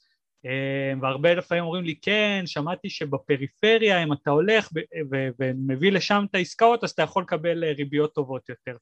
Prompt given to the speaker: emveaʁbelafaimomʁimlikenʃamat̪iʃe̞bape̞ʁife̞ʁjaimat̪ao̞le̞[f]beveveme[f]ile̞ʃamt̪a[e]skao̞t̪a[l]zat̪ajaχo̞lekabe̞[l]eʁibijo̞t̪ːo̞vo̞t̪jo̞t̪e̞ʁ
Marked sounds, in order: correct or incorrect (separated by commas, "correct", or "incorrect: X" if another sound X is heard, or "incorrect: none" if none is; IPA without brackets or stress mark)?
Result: incorrect: χ, incorrect: v, incorrect: i, incorrect: none, correct